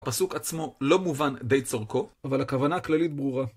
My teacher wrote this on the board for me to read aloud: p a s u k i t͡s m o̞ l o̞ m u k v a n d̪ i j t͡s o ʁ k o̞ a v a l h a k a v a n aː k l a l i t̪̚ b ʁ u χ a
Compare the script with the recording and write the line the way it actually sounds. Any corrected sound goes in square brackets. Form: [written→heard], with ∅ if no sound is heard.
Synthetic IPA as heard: p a s u k [i→a] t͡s m o̞ l o̞ m u [k→∅] v a n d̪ [i→e] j t͡s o ʁ k o̞ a v a l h a k a v a n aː k l a l i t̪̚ b ʁ u [χ→ʁ] a

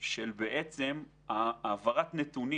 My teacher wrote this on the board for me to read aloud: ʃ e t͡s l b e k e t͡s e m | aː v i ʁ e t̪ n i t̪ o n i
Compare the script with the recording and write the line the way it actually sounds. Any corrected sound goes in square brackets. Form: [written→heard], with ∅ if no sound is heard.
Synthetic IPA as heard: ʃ e [t͡s→∅] l b e [k→ʔ] e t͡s e m | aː v [i→a] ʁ [e→a] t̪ n [i→e] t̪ [o→u] n i

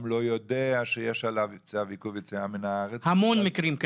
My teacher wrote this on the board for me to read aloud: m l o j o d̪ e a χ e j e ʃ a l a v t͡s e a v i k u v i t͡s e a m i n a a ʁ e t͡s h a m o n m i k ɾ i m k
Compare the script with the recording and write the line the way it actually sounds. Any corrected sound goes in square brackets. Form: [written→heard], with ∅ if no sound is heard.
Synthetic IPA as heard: m l o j o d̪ e a [χ→ʃ] e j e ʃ a l a v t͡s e a v i k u v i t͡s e a m i n a a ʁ e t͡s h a m o n m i k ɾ i m k

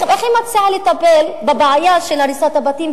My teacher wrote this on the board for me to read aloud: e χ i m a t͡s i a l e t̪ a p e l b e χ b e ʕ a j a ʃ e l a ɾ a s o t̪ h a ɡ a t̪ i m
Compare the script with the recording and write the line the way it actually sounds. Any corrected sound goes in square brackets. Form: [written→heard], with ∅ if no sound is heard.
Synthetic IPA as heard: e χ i m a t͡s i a l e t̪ a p e l b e [χ→∅] b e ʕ a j a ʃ e l a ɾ [a→i] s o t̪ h a [ɡ→b] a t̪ i m

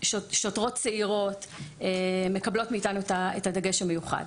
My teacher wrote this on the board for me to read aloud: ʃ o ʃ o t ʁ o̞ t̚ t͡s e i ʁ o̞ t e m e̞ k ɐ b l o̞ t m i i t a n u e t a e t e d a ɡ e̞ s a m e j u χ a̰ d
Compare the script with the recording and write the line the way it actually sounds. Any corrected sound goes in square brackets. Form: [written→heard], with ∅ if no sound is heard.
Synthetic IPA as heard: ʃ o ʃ o t ʁ o̞ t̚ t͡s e i ʁ o̞ t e m e̞ k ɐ b l o̞ t m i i t a n u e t a e t [e→a] d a ɡ e̞ [s→ʃ] a m e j u χ a̰ d

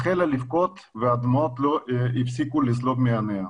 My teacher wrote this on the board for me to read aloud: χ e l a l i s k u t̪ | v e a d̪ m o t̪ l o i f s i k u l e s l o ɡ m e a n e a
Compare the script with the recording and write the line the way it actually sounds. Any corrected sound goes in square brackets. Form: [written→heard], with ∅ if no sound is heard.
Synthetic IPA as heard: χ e l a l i [s→f] k [u→o] t̪ | v e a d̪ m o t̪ l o i f s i k u l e s l o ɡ m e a n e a

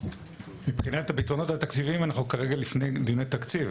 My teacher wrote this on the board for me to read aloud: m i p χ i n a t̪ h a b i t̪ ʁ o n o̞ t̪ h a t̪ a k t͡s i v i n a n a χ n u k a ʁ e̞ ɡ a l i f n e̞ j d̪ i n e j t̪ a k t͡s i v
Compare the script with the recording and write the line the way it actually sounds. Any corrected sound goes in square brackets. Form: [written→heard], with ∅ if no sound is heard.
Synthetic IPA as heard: m i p χ i n a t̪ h a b i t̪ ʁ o n o̞ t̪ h a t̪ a k t͡s i v i [n→m] a n a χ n u k a ʁ e̞ ɡ a l i f n e̞ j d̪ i n e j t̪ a k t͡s i v

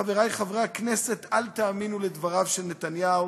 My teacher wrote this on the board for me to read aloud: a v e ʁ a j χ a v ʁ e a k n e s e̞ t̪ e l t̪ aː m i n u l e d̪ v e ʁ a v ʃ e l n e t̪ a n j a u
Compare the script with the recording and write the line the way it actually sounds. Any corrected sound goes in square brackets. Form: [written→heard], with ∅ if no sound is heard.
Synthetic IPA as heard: a v e ʁ a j χ a v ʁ e a k n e s e̞ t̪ [e→a] l t̪ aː m i n u l e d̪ v [e→a] ʁ a v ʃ e l n e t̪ a n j a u

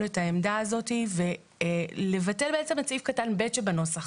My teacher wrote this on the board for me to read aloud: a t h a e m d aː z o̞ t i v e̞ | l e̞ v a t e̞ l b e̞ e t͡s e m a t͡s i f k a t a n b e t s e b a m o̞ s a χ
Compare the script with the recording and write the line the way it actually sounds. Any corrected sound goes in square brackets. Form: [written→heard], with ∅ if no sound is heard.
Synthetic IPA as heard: [a→e] t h a e m d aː z o̞ t i v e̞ | l e̞ v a t e̞ l b e̞ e t͡s e m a t͡s i f k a t a n b e t [s→ʃ] e b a [m→n] o̞ s a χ

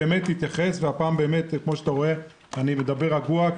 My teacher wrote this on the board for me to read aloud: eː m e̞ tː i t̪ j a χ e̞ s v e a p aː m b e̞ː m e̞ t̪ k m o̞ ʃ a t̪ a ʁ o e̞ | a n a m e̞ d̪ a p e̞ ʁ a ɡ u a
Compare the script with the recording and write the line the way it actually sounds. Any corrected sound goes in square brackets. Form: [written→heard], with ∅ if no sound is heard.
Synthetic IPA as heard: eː m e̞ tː i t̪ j a χ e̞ s v e a p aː m b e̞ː m e̞ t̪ k m o̞ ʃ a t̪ a ʁ o e̞ | a n [a→i] m e̞ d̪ a [p→b] e̞ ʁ a ɡ u a

